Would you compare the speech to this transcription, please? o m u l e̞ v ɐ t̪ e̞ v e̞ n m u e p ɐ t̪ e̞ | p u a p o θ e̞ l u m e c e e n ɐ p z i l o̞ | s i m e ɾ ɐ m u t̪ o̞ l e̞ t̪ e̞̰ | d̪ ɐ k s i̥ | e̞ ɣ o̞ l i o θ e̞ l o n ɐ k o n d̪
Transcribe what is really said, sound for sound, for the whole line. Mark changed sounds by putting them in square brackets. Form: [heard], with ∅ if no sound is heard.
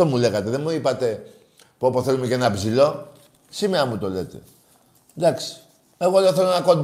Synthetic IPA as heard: o m u l e̞ [ɣ] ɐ t̪ e̞ [ð] e̞ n m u [i] p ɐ t̪ e̞ | p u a p o θ e̞ l u m e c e e n ɐ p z i l o̞ | s i m e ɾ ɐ m u t̪ o̞ l e̞ t̪ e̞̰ | d̪ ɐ k s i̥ | e̞ ɣ o̞ l [e] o θ e̞ l o n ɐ k o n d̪